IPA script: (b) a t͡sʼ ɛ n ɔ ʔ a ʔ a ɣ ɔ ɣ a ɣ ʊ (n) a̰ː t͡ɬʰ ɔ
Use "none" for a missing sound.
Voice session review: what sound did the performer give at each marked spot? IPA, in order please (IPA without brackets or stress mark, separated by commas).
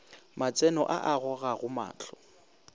m, m